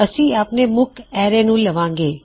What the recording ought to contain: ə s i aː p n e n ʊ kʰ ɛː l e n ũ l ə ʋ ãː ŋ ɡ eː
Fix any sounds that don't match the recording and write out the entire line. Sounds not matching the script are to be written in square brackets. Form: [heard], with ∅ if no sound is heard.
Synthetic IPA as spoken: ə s i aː p n e [m] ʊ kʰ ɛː [ɾ] e n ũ l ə ʋ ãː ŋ ɡ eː